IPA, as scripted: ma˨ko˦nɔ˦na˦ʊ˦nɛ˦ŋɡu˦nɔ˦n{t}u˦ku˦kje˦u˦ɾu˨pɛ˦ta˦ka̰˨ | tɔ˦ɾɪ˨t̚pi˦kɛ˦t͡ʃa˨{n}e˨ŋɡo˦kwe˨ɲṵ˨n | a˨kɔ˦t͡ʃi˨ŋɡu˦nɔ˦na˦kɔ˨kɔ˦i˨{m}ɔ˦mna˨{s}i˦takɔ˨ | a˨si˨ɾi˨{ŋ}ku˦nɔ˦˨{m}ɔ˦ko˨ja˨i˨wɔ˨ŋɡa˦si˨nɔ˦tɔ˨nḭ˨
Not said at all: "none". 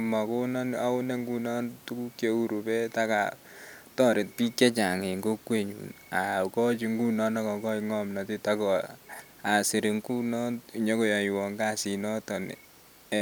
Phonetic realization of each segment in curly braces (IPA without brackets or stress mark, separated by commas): t, ŋ, ŋ, t, ŋ, ɲ